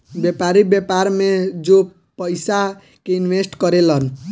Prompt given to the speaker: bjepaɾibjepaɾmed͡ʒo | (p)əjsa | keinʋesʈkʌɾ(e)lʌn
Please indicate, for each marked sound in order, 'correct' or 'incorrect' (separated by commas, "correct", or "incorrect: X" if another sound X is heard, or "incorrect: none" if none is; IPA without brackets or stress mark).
correct, correct